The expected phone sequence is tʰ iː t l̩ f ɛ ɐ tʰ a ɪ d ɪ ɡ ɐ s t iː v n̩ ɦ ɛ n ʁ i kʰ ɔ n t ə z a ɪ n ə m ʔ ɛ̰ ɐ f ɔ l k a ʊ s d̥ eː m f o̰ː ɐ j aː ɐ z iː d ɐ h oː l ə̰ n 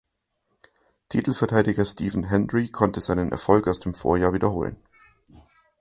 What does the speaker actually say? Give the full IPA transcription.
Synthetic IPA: tʰ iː t l̩ f ɛ ɐ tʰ a ɪ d ɪ ɡ ɐ s t iː v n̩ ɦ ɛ n ʁ i kʰ ɔ n t ə z a ɪ n ə n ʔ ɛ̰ ɐ f ɔ l k a ʊ s d̥ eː m f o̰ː ɐ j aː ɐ v iː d ɐ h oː l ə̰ n